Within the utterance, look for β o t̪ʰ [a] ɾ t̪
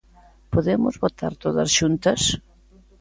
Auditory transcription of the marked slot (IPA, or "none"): a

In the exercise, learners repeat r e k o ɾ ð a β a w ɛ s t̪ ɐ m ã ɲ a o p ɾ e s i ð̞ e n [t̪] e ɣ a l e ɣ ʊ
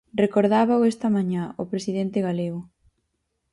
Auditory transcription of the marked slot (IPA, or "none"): t̪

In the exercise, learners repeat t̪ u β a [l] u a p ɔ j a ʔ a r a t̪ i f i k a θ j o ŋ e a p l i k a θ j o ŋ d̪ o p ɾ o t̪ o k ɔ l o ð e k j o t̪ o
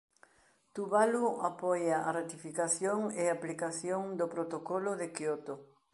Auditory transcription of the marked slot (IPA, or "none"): l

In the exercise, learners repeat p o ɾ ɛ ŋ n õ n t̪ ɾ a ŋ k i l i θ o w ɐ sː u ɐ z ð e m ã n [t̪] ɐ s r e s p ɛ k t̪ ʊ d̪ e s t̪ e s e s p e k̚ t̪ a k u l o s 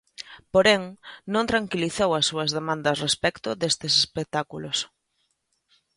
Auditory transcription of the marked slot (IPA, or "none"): d̪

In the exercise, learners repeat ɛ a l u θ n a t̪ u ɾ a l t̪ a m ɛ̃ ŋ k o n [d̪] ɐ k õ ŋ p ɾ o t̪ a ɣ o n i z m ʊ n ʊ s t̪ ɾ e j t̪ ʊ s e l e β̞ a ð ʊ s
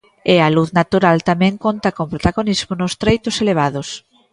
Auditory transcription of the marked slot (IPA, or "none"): t̪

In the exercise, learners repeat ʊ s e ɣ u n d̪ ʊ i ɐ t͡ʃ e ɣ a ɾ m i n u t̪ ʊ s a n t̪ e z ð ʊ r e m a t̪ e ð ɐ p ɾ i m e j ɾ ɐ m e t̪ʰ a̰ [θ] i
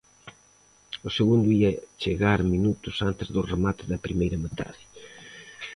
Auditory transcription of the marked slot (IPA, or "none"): ð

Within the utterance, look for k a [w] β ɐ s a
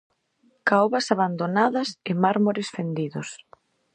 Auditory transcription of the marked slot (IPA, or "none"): w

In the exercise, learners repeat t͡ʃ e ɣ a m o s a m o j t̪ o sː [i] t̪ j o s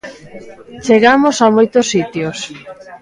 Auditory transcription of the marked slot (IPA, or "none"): i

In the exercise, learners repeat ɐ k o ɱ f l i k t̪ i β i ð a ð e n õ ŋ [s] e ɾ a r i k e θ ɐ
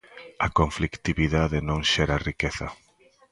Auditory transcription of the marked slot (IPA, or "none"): ʃ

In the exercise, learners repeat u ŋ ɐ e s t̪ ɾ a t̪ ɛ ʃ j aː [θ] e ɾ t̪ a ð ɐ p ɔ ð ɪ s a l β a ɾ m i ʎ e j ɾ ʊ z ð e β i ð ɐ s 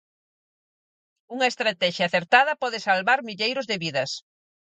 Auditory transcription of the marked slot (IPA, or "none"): θ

